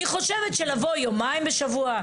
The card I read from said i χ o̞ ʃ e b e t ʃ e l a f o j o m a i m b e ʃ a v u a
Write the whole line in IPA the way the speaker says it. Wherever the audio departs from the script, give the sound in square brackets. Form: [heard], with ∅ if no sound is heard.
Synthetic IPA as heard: i χ o̞ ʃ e [v] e t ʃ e l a [v] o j o m a i m b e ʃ a v u a